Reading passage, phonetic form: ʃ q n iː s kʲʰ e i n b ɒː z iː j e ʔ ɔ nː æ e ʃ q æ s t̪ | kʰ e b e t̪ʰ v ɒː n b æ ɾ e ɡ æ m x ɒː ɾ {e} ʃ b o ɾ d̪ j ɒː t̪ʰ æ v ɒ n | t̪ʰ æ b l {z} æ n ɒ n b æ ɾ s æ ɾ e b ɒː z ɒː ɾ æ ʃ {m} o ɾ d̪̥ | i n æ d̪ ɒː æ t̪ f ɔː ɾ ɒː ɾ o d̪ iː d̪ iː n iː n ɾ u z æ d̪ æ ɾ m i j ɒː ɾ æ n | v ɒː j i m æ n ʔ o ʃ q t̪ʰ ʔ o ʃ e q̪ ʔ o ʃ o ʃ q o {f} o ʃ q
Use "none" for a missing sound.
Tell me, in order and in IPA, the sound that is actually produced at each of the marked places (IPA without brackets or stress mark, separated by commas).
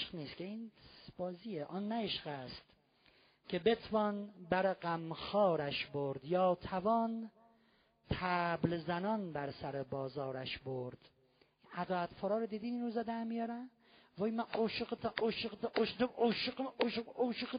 æ, z, b, ʃ